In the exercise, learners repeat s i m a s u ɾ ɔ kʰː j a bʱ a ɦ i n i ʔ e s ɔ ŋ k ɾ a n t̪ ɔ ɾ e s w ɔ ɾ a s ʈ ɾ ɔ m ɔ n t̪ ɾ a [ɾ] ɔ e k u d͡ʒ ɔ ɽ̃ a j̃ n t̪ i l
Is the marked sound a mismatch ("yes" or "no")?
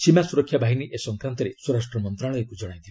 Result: yes